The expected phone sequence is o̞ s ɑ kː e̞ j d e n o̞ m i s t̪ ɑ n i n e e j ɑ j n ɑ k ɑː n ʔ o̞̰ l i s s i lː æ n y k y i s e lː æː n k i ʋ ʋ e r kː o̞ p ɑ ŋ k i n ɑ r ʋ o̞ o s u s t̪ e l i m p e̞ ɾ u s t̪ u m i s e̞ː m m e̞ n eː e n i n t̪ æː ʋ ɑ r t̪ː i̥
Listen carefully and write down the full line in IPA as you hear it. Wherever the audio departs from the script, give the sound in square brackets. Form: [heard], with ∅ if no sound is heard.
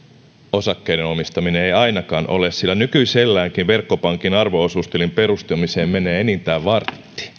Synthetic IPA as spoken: o̞ s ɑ kː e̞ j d e n o̞ m i s t̪ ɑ [m] i n e e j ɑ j n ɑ k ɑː n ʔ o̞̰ l [e] s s i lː æ n y k y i s e lː æː [ŋ] k i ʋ ʋ e r kː o̞ p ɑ ŋ k i n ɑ r ʋ o̞ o s u s t̪ e l i m p e̞ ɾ u s t̪ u m i s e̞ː m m e̞ n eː e n i n t̪ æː ʋ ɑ r t̪ː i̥